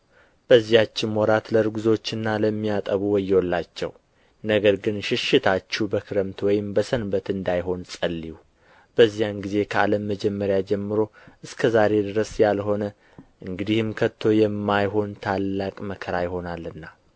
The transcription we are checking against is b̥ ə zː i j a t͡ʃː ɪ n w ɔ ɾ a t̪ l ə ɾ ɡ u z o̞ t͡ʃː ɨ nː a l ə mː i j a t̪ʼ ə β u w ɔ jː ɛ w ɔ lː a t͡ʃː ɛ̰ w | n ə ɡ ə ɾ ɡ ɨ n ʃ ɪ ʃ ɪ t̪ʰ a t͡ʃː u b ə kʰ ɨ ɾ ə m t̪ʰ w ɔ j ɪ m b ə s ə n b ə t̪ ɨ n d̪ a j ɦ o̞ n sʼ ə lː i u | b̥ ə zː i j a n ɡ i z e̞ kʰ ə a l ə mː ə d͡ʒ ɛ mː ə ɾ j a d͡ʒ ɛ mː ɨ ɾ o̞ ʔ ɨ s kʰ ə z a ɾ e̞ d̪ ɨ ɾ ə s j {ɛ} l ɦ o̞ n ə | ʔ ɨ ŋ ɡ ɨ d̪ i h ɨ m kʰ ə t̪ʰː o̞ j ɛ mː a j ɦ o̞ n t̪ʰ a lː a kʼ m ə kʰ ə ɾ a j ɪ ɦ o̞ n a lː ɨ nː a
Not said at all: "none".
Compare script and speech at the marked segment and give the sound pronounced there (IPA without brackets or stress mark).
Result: a